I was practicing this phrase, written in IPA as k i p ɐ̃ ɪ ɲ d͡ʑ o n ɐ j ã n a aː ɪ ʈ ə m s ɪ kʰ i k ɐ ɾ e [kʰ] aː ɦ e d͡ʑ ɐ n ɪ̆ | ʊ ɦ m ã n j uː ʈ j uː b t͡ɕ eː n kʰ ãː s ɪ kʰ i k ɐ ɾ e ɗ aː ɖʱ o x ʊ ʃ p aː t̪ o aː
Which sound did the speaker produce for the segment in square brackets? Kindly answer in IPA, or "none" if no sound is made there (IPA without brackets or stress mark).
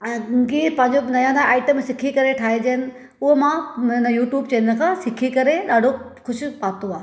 ʈʰ